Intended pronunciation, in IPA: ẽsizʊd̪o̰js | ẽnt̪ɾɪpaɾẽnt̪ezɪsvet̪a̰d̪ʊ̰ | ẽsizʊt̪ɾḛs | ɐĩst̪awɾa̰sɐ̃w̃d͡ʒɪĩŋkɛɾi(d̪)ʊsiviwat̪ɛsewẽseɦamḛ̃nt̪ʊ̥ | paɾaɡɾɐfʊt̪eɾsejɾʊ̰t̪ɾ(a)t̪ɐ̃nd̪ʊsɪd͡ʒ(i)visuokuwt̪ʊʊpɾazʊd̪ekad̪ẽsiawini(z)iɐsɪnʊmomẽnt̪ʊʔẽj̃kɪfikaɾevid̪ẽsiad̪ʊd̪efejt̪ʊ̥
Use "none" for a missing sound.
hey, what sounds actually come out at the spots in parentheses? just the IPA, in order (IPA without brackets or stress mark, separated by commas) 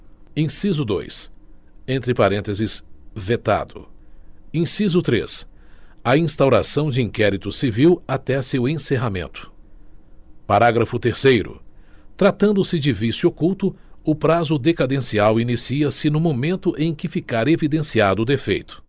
t̪, a, ɪ, s